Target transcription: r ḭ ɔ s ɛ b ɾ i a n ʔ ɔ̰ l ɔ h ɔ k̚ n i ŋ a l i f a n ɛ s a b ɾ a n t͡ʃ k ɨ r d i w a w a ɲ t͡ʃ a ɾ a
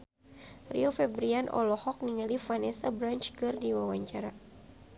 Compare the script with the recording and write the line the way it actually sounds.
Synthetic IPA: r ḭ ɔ f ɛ b ɾ i a n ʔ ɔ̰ l ɔ h ɔ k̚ n i ŋ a l i f a n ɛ s a b ɾ a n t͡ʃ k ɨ r d i w a w a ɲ t͡ʃ a ɾ a